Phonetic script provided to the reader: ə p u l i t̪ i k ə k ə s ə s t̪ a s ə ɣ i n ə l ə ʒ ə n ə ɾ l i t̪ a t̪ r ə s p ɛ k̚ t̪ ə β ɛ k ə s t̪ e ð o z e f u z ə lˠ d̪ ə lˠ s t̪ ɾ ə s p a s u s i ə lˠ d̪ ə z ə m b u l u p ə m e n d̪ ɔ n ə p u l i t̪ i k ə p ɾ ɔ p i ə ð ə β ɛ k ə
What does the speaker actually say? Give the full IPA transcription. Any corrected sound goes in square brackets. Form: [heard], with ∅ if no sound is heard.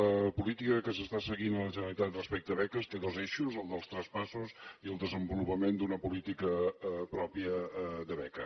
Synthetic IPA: ə p u l i t̪ i k ə k ə s ə s t̪ a s ə ɣ i n ə l ə ʒ ə n ə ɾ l i t̪ a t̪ r ə s p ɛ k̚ t̪ ə β ɛ k ə s t̪ e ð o z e [ʃ] u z ə lˠ d̪ ə lˠ s t̪ ɾ ə s p a s u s i ə lˠ d̪ ə z ə m b u l u p ə m e n d̪ [u] n ə p u l i t̪ i k ə p ɾ ɔ p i ə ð ə β ɛ k ə